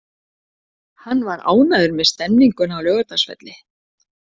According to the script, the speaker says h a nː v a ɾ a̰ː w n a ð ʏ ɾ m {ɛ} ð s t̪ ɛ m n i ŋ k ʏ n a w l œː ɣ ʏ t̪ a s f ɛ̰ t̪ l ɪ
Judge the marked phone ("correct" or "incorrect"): correct